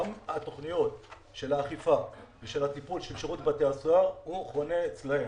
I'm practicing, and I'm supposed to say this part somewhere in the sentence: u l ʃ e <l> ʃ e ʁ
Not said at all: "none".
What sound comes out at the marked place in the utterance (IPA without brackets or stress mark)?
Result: l